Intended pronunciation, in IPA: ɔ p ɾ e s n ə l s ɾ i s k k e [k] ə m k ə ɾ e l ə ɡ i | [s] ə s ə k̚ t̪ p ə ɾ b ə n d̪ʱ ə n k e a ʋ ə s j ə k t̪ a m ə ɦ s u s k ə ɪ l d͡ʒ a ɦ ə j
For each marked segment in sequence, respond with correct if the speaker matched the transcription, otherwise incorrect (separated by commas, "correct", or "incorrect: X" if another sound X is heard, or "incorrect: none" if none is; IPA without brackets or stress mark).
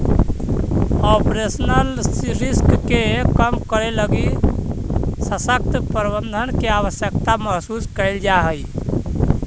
correct, correct